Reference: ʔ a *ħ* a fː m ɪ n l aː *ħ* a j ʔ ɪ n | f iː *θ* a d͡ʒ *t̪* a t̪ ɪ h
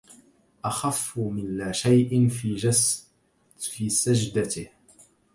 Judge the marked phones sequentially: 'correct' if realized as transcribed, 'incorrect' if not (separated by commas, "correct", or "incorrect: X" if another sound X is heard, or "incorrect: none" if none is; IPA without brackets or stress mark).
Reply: incorrect: x, incorrect: ʃ, incorrect: s, incorrect: d̪